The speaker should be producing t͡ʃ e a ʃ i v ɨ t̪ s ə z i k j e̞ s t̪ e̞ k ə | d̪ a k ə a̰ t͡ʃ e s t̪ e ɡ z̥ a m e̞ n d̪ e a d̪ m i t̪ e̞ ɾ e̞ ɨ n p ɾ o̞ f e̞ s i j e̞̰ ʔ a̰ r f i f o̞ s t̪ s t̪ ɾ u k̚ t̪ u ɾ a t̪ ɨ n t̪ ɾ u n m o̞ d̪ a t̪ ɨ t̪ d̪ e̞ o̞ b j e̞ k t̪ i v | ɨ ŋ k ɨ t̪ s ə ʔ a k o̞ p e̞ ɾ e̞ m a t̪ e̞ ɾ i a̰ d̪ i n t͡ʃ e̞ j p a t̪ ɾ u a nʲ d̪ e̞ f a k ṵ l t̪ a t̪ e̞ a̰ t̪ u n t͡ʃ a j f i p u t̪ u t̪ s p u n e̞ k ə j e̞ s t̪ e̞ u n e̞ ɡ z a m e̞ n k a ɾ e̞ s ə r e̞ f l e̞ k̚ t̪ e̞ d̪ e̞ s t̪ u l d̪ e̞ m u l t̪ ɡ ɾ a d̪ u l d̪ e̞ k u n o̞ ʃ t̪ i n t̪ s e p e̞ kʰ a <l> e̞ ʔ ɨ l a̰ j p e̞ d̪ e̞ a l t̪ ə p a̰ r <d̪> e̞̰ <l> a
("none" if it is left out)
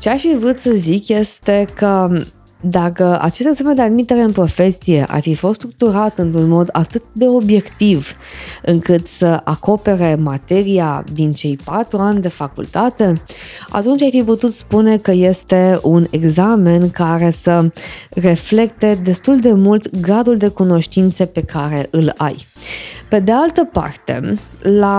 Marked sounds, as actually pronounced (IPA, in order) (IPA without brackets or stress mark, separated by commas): ɾ, t̪, l